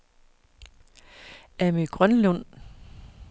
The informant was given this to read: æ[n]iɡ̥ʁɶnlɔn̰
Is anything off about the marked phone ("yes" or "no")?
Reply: yes